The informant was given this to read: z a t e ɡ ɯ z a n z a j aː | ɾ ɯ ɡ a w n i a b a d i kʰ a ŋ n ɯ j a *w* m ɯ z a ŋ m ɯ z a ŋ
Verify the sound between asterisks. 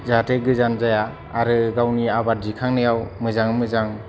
correct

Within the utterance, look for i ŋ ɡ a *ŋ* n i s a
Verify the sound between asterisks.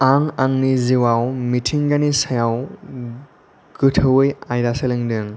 incorrect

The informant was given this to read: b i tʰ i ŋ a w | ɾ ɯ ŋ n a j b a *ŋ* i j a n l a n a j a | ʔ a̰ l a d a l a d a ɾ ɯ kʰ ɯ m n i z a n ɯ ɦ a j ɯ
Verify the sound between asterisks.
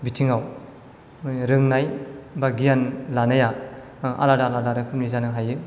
incorrect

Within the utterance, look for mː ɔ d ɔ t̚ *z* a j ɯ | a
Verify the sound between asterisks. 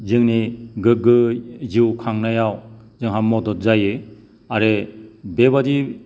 correct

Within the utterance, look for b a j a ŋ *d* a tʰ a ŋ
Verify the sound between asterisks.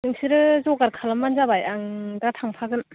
correct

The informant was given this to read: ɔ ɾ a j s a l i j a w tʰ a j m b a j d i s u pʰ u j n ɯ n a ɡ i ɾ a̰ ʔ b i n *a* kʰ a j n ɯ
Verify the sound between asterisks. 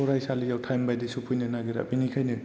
incorrect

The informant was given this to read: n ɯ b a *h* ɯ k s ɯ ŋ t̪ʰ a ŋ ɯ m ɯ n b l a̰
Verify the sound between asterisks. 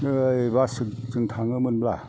incorrect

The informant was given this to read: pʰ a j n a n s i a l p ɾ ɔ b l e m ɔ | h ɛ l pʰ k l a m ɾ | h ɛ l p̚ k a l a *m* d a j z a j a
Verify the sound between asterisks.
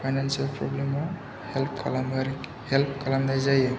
correct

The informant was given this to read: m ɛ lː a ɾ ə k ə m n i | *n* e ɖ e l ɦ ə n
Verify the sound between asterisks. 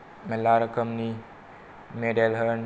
incorrect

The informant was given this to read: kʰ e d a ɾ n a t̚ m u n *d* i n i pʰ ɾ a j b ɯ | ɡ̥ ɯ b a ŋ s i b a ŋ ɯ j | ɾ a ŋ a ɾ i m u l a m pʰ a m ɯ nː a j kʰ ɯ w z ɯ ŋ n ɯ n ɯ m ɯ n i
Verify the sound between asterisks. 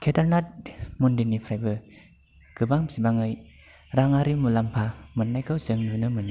correct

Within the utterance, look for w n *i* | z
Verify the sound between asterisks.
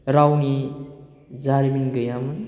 correct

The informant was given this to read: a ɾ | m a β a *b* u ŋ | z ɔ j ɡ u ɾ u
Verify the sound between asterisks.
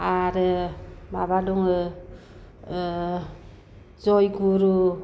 incorrect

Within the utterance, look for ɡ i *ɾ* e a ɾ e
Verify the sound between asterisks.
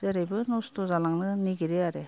correct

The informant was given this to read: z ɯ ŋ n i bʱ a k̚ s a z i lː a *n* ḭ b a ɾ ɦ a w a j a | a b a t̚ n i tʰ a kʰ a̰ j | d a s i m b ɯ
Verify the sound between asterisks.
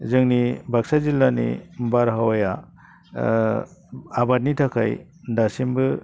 correct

